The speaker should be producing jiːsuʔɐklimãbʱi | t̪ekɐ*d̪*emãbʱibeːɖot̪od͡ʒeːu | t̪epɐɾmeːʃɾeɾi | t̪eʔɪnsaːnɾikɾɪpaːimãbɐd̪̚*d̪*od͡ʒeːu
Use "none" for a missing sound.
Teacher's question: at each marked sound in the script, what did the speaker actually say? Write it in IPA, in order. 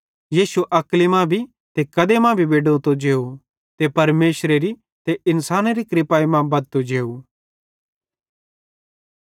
d̪, t̪

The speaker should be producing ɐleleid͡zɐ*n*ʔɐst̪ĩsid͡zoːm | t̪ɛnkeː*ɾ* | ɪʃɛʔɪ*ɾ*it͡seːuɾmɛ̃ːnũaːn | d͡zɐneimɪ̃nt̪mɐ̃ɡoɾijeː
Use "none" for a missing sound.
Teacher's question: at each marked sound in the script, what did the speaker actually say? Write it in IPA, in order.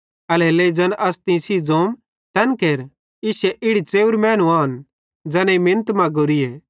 n, ɾ, ɽ

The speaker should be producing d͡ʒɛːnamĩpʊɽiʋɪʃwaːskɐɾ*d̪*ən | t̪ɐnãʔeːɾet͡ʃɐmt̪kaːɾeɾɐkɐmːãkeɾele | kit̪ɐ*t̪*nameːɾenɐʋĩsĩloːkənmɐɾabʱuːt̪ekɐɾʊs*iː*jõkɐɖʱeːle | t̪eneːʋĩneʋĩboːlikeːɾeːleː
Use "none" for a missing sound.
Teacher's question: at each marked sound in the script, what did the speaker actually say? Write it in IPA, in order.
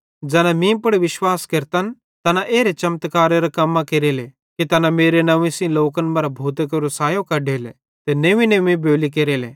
t̪, none, aː

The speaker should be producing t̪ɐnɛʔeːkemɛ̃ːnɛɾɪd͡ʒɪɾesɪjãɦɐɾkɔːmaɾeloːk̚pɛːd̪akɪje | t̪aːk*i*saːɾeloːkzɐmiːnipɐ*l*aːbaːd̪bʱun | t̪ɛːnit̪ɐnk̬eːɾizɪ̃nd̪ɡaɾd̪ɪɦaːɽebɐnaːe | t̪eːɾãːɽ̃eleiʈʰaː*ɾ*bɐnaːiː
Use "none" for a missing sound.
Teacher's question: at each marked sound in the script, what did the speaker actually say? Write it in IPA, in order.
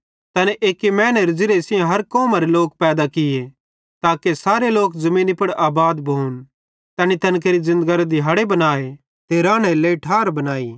e, ɽ, ɾ

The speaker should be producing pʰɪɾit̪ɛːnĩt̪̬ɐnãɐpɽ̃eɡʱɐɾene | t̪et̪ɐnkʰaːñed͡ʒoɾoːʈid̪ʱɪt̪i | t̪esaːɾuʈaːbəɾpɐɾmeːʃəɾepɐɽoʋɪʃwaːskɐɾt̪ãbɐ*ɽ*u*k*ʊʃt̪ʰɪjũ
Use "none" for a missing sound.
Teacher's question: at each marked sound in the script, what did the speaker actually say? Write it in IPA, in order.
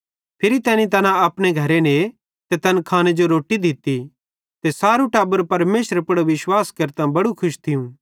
ɽ, kʰ

